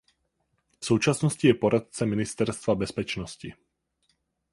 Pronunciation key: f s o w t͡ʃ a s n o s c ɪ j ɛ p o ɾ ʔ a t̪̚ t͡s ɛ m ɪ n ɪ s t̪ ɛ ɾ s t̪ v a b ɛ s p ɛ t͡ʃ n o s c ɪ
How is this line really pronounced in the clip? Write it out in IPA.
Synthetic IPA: f s o w t͡ʃ a s n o s c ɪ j ɛ p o ɾ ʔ a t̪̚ t͡s ɛ m ɪ n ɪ s t̪ ɛ ɾ s t̪ v a b ɛ s p ɛ t͡ʃ n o s c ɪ